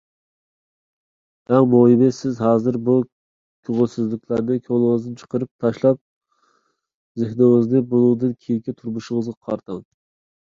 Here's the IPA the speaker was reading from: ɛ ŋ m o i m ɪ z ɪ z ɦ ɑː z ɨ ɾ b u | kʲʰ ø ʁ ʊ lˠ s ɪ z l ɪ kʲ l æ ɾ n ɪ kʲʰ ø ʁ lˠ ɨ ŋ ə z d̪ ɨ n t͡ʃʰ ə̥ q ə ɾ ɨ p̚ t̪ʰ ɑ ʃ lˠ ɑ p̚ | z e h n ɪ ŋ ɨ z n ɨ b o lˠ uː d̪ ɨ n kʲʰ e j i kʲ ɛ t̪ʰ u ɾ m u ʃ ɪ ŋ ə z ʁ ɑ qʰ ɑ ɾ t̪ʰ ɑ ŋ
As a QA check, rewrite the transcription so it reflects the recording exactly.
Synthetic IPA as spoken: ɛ ŋ m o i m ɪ s ɪ z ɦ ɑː z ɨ ɾ b u | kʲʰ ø ʁ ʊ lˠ s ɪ z l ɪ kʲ l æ ɾ n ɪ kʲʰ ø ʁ lˠ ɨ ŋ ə z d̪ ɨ n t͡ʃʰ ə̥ q ə ɾ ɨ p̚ t̪ʰ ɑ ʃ lˠ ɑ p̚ | z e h n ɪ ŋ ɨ z n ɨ b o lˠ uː d̪ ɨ n kʲʰ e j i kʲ ɛ t̪ʰ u ɾ m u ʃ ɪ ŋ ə z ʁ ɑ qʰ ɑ ɾ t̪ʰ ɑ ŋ